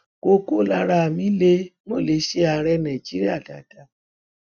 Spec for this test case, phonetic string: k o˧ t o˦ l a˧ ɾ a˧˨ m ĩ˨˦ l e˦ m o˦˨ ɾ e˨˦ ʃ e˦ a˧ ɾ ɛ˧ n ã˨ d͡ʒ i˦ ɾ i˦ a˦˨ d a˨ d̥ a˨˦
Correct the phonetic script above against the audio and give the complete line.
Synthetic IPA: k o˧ k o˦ l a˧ ɾ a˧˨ m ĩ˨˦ l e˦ m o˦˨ l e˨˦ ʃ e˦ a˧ ɾ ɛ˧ n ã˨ d͡ʒ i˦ ɾ i˦ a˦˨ d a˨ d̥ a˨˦